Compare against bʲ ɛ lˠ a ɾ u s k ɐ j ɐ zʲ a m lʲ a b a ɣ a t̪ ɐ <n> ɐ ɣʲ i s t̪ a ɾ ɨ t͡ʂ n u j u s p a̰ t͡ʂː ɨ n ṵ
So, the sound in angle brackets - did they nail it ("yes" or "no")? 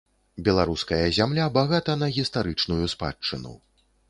yes